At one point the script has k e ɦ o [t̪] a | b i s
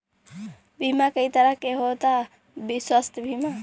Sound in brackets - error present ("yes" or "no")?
no